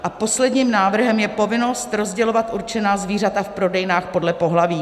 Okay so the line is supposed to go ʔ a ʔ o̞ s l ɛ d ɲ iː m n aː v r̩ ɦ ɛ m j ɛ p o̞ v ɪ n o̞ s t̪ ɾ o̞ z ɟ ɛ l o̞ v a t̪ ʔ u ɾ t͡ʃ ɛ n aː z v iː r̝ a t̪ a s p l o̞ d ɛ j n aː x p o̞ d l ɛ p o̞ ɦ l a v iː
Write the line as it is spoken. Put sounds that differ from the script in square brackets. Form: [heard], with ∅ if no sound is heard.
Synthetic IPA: ʔ a [p] o̞ s l ɛ d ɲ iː m n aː v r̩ ɦ ɛ m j ɛ p o̞ v ɪ n o̞ s t̪ ɾ o̞ z ɟ ɛ l o̞ v a t̪ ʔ u ɾ t͡ʃ ɛ n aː z v iː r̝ a t̪ a [f] p [ɾ] o̞ d ɛ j n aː x p o̞ d l ɛ p o̞ ɦ l a v iː